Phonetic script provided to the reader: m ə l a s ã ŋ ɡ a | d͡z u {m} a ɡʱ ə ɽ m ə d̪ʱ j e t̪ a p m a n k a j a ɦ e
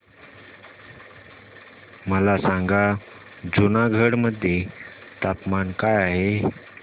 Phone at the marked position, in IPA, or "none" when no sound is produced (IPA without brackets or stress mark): n